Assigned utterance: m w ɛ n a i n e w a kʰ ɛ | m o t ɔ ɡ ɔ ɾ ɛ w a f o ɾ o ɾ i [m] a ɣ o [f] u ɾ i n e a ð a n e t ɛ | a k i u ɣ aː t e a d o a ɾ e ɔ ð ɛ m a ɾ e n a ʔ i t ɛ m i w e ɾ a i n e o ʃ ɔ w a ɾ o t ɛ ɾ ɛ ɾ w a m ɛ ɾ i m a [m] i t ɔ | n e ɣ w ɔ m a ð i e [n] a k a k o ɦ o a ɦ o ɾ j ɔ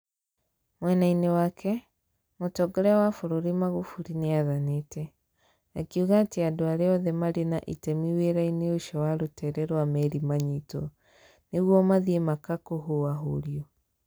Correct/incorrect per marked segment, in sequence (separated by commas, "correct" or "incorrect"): correct, correct, incorrect, incorrect